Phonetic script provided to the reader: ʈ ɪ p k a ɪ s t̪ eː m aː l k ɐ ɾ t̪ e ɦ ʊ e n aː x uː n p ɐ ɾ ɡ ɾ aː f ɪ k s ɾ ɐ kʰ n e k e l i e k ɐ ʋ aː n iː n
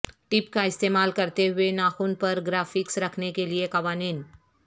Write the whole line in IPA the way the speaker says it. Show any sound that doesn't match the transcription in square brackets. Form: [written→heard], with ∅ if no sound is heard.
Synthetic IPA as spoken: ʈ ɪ p k a ɪ s t̪ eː m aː l k ɐ ɾ t̪ e ɦ ʊ e n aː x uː n p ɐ ɾ ɡ ɾ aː f ɪ k s ɾ ɐ kʰ n e k e l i e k ɐ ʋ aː n iː n